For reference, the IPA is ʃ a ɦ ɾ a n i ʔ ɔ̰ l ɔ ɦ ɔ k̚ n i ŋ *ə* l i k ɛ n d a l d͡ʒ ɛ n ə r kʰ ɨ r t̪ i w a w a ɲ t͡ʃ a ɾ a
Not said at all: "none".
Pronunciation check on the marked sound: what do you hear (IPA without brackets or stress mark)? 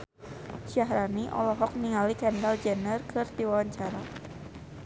a